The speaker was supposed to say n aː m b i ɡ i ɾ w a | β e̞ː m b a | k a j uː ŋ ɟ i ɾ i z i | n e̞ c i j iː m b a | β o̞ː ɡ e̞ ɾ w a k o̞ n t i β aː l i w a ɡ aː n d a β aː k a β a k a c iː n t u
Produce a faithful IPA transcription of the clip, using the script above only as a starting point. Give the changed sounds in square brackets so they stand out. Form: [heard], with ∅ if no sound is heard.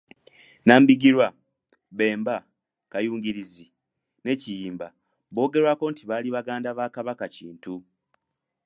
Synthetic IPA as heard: n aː m b i ɡ i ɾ w a | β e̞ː m b a | k a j uː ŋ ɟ i ɾ i z i | n e̞ c i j iː m b a | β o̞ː ɡ e̞ ɾ w a k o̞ n t i β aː l i [β] a ɡ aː n d a β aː k a β a k a c iː n t u